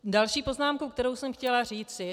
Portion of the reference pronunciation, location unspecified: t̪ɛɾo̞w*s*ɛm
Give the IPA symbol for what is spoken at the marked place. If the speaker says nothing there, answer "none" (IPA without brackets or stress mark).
s